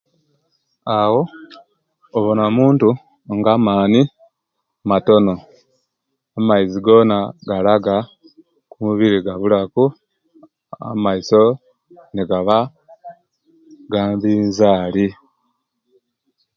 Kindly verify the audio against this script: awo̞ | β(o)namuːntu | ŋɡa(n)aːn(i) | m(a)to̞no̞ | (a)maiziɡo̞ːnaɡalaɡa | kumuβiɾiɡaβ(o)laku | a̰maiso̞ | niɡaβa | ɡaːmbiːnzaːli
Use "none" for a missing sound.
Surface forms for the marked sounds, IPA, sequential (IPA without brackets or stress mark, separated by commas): o, m, i, a, a, u